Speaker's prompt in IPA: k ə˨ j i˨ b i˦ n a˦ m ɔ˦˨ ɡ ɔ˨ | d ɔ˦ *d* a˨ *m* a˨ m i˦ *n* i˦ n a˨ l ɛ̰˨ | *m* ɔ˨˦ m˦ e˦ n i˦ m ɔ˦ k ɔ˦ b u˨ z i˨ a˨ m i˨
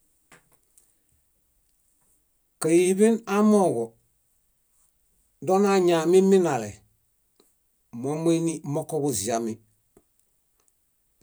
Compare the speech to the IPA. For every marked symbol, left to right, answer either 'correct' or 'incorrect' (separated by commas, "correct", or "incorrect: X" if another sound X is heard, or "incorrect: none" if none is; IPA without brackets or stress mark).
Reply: incorrect: n, incorrect: ɲ, incorrect: m, correct